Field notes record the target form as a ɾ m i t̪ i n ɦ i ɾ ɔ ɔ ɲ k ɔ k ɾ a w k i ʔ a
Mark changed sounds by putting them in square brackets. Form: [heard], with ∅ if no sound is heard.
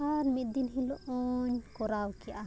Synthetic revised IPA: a ɾ m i [d̪] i n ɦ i [l] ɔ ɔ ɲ k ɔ [∅] ɾ a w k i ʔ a